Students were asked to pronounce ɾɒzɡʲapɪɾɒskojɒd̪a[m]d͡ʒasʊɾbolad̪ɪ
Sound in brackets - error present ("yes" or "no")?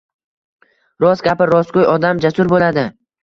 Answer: no